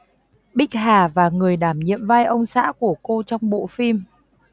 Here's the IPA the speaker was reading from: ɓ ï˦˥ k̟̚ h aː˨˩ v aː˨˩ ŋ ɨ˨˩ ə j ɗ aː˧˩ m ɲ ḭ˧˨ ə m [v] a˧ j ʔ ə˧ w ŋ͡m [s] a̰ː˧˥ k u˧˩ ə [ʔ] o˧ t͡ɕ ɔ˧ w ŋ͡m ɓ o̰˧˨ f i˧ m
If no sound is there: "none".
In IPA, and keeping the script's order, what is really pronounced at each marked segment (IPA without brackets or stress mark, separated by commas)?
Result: v, s, k